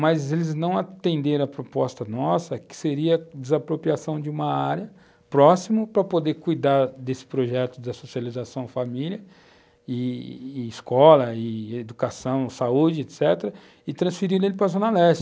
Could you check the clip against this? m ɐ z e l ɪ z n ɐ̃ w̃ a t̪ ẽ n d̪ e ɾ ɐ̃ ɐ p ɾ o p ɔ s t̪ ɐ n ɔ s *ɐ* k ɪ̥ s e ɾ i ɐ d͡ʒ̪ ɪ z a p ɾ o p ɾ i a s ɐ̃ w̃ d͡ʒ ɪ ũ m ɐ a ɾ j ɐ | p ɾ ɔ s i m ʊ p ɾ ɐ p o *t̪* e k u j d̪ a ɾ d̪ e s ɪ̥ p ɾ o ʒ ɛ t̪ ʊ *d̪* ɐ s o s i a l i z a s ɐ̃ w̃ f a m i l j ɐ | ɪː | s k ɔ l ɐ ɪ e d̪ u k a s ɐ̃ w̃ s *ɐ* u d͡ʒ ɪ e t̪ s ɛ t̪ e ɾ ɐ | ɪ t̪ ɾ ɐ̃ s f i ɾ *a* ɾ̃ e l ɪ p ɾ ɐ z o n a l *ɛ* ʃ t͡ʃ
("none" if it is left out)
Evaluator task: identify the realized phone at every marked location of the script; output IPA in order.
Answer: ɐ, d̪, d̪, a, i, ɛ

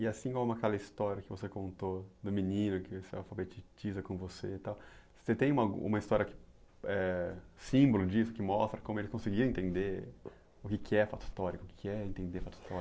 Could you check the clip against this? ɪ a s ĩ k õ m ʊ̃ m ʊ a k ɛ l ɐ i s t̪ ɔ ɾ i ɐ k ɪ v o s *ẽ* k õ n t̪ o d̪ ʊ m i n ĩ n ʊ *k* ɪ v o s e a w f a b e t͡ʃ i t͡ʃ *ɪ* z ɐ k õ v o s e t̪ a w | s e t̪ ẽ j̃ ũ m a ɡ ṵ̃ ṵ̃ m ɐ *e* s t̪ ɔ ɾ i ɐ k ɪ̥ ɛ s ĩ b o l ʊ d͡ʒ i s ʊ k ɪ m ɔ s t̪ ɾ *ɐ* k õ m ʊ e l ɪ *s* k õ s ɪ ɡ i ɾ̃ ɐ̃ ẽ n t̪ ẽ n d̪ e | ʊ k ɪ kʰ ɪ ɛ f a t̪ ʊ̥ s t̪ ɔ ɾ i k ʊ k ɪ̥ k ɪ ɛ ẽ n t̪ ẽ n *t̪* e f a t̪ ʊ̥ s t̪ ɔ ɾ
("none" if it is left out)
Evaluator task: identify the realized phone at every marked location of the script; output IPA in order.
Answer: e, k, i, i, ɐ, s, d̪

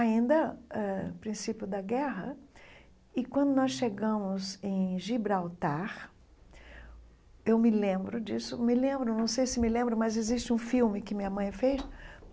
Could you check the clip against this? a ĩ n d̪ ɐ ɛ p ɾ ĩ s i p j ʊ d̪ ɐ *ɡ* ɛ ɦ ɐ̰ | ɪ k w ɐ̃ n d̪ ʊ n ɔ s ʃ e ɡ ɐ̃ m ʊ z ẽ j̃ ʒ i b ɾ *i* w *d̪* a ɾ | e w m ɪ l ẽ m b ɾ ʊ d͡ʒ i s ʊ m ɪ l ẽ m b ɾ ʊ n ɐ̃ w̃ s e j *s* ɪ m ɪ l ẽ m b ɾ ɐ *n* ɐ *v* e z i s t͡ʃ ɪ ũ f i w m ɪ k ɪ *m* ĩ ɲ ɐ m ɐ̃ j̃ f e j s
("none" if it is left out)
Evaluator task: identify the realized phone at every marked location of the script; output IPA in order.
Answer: ɡ, a, t̪, s, m, z, m

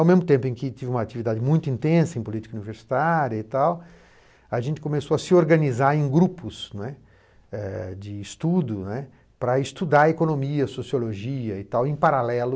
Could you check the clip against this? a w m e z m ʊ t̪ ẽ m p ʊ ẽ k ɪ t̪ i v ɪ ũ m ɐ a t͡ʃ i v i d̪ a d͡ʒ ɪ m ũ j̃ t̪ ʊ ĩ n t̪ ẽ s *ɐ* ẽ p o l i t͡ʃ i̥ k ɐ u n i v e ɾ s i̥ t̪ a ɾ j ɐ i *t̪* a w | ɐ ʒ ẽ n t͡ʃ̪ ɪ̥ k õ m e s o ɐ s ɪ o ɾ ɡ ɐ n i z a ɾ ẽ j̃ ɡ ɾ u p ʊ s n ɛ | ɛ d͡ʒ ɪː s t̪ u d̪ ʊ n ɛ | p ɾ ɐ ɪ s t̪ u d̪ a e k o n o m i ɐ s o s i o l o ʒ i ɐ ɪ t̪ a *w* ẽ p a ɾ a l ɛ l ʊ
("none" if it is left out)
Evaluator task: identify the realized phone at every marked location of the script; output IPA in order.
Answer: ɐ, t̪, w

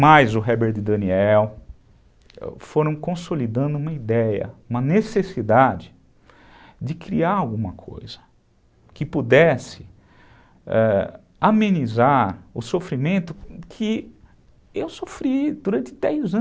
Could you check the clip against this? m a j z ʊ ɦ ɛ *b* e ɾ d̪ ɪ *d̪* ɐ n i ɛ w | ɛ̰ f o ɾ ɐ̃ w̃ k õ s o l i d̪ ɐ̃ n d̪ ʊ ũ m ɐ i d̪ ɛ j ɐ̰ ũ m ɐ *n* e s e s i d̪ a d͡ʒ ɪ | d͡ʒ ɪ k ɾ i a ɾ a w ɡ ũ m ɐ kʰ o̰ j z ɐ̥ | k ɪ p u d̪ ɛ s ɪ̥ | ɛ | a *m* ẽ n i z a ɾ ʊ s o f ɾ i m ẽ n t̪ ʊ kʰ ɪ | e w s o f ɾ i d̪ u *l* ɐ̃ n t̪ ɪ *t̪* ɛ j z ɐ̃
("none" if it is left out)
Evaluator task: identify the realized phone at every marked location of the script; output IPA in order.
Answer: b, d̪, n, m, ɾ, d̪

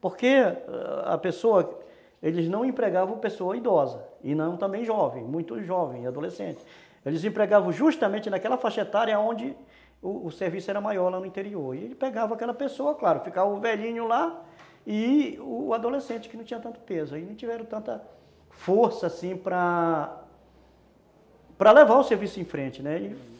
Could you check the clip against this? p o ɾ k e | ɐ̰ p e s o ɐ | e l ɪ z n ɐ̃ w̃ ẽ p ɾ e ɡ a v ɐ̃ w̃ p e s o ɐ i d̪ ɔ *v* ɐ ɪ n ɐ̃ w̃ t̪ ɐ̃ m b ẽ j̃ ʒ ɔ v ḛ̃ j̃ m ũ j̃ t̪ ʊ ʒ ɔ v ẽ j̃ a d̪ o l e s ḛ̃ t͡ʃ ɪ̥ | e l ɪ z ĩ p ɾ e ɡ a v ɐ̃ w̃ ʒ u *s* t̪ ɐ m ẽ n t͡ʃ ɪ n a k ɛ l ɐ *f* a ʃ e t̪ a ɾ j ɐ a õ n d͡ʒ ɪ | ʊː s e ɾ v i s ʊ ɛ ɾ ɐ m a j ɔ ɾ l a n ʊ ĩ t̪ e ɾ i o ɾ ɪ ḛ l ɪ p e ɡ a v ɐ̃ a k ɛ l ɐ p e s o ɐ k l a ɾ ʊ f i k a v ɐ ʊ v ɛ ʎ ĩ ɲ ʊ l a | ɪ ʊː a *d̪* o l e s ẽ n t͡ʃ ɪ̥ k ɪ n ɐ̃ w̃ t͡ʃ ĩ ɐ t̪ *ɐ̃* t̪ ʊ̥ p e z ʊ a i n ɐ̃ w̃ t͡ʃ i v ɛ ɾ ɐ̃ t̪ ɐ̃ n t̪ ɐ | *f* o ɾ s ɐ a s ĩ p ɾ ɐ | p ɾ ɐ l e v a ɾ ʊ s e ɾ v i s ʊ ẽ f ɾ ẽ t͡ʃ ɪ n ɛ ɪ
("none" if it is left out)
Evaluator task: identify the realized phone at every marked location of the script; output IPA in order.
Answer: z, ʃ, f, d̪, ɐ̃, f

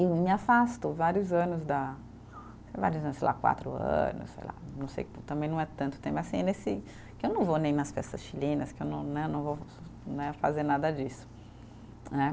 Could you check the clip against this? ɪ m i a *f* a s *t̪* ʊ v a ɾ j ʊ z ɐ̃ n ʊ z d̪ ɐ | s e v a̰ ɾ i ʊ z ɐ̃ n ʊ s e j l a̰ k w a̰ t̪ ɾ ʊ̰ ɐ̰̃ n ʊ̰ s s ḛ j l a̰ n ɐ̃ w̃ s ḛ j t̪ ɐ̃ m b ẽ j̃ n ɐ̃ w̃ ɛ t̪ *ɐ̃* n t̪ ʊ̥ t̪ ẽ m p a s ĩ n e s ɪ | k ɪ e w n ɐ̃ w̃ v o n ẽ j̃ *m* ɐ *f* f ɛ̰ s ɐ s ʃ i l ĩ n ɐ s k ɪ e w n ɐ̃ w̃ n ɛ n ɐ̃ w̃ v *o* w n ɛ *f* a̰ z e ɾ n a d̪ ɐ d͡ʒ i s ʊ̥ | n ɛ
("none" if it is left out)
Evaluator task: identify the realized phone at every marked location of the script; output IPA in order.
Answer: f, t̪, ɐ̃, n, s, o, f

